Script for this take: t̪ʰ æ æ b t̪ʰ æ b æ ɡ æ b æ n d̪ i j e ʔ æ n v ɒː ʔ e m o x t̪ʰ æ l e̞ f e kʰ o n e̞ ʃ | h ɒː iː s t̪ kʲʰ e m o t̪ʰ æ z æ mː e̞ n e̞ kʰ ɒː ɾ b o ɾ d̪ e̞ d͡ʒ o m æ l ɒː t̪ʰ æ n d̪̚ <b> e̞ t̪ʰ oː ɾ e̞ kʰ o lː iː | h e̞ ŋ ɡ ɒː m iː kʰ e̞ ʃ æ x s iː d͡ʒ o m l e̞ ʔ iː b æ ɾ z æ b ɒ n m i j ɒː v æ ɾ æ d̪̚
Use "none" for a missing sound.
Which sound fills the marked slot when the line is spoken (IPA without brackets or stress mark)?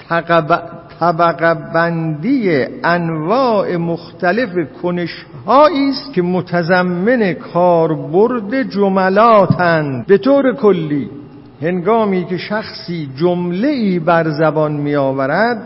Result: b